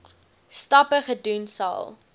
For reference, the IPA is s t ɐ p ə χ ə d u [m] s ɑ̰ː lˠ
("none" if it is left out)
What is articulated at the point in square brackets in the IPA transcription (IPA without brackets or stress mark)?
n